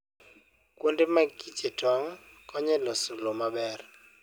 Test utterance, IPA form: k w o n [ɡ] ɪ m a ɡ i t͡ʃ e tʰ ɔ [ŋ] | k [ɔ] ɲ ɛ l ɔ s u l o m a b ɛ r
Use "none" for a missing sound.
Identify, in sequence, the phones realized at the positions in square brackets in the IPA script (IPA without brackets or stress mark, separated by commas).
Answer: d, ŋ, ɔ